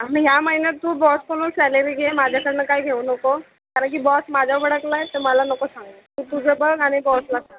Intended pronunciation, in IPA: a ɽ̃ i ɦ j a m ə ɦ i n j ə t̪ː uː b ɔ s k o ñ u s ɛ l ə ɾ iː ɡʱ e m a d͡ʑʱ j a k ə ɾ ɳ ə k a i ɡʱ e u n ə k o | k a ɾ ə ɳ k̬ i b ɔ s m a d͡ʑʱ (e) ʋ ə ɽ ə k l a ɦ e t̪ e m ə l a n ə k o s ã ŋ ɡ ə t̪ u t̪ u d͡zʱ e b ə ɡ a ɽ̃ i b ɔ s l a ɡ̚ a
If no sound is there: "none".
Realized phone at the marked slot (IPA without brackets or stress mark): a